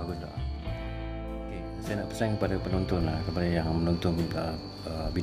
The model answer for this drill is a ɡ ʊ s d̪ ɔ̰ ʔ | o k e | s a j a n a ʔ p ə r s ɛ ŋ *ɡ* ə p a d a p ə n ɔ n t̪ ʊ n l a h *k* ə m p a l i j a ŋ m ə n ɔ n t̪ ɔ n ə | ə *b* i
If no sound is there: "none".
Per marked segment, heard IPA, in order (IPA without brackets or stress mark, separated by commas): k, k, b